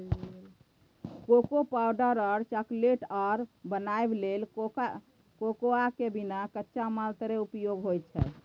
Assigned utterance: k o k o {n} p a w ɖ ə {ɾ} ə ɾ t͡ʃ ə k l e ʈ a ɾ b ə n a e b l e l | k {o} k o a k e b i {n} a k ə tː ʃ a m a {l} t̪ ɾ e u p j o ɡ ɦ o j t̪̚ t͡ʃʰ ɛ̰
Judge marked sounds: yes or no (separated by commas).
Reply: no, yes, yes, yes, yes